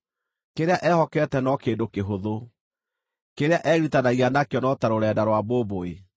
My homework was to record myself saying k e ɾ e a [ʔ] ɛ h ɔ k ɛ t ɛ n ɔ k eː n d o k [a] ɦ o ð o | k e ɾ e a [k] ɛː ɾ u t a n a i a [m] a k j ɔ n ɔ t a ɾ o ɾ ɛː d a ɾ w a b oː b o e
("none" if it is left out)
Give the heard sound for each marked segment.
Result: ʔ, e, ʔ, n

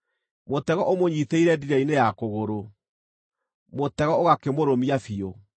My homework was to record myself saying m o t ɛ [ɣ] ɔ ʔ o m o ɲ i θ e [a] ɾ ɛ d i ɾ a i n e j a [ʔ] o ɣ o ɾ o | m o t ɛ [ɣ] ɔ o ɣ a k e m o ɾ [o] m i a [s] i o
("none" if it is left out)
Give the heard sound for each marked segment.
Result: ɣ, i, k, ɣ, o, f

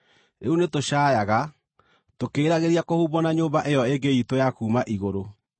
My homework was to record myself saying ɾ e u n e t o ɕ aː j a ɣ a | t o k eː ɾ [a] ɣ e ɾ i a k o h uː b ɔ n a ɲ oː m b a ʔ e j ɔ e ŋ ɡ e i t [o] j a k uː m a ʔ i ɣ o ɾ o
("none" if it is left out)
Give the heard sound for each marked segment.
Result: a, o

